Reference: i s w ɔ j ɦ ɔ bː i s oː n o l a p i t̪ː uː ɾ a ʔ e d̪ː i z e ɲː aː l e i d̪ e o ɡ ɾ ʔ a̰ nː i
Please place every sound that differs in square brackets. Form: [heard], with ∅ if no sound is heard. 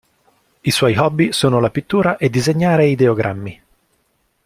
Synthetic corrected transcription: i s w ɔ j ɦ ɔ bː i s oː n o l a p i t̪ː uː ɾ a ʔ e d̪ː i z e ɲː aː [ɾ] e i d̪ e o ɡ ɾ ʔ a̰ [mː] i

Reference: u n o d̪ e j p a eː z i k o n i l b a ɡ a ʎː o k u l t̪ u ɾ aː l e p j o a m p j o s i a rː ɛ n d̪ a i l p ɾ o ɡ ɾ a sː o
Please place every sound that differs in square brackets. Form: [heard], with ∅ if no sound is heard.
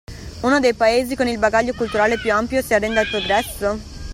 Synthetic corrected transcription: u n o d̪ e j p a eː z i k o n i l b a ɡ a ʎː o k u l t̪ u ɾ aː l e p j [u] a m p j o s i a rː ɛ n d̪ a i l p ɾ o ɡ ɾ [ɛ] sː o

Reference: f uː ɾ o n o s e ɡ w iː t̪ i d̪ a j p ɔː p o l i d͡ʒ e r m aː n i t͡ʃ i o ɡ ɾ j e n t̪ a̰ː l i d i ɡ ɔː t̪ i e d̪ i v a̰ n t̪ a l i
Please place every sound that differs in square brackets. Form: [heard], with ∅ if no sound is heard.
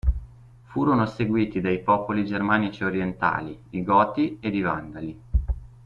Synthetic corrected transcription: f uː ɾ o n o s e ɡ w iː t̪ i d̪ a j p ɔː p o l i d͡ʒ e r m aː n i t͡ʃ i o [∅] ɾ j e n t̪ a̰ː l i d i ɡ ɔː t̪ i e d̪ i v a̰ n [d̪] a l i

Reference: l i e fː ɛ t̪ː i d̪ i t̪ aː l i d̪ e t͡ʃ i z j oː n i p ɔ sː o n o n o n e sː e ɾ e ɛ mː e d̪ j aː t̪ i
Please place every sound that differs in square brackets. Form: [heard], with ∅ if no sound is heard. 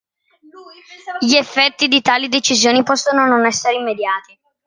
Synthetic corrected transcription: [ʎ] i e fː ɛ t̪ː i d̪ i t̪ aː l i d̪ e t͡ʃ i z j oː n i p ɔ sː o n o n o n [ɛ] sː e ɾ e [i] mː e d̪ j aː t̪ i

